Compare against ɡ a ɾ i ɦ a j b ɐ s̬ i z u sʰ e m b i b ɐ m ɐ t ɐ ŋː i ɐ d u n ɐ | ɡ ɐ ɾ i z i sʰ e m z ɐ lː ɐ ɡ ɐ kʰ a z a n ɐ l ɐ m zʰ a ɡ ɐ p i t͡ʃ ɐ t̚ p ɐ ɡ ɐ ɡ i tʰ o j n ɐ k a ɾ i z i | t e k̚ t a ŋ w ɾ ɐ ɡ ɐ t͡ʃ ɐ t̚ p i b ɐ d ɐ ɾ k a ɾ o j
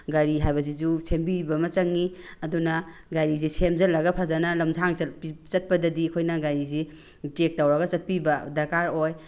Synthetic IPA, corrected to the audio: ɡ a ɾ i ɦ a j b ɐ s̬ i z u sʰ e m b i b ɐ m ɐ t͡ʃ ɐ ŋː i ɐ d u n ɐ | ɡ a ɾ i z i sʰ e m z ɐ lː ɐ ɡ ɐ pʰ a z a n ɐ l ɐ m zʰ a ŋ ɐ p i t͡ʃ ɐ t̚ p ɐ d ɐ d i kʰ o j n ɐ ɡ a ɾ i z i | t e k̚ t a w ɾ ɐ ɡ ɐ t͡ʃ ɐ t̚ p i b ɐ d ɐ ɾ k a ɾ o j